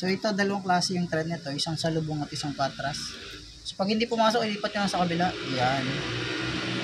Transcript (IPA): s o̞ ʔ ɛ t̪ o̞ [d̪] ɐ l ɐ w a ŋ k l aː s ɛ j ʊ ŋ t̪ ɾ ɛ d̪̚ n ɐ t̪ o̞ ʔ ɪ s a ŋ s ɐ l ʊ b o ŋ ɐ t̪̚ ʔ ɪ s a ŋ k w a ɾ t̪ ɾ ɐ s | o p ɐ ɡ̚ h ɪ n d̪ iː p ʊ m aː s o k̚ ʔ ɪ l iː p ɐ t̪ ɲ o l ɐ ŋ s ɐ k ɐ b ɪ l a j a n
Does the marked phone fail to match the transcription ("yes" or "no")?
no